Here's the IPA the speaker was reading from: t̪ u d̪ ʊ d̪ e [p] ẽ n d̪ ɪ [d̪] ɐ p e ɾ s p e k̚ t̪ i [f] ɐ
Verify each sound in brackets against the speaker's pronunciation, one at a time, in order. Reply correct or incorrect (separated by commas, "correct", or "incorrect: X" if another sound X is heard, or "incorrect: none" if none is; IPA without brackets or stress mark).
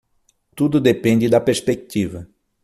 correct, correct, incorrect: v